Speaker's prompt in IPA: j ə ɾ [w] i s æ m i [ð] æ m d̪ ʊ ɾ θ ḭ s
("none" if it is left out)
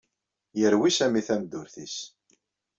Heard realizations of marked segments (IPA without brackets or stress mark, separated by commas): w, θ